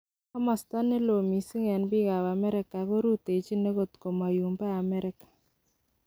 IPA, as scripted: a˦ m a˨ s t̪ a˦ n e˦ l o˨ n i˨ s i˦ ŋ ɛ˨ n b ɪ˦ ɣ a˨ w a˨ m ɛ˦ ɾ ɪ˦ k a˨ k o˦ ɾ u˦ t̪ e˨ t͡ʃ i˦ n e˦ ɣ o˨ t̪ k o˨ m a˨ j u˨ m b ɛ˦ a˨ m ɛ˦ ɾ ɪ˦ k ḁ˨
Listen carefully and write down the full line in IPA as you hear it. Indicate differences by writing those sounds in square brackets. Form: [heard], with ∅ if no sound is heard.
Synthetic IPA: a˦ m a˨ s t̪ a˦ n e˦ l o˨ [m] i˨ s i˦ ŋ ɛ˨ n b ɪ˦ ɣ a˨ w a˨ m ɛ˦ ɾ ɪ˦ k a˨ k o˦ ɾ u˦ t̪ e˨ t͡ʃ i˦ n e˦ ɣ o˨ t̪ k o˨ m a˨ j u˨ m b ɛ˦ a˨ m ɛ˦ ɾ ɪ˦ k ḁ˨